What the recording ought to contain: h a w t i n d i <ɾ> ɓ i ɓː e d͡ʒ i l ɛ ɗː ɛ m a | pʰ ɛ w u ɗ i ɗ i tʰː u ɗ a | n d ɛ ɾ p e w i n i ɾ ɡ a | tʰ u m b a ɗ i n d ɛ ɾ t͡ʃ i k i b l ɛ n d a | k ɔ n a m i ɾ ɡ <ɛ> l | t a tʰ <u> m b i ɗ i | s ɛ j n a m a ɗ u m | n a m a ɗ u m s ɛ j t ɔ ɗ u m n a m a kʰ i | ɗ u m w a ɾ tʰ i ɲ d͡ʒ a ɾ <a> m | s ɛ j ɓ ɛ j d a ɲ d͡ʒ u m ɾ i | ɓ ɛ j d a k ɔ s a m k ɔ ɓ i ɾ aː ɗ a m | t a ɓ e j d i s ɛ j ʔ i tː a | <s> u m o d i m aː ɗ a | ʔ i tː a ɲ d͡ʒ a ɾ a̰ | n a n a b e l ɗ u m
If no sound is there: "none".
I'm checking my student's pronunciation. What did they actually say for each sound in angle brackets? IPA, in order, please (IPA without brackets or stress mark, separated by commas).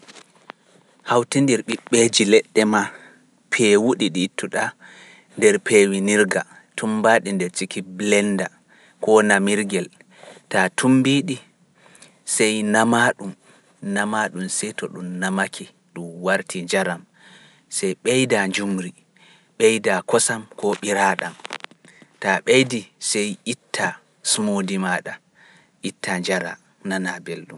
ɾ, ɛ, u, a, s